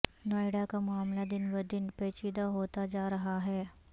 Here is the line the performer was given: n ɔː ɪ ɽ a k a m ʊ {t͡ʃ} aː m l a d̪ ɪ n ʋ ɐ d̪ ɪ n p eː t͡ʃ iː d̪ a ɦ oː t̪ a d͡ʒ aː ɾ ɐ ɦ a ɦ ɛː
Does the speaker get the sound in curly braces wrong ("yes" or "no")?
yes